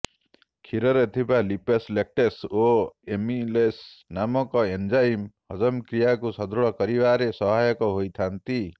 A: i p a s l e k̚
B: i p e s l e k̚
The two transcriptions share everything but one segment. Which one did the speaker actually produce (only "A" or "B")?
B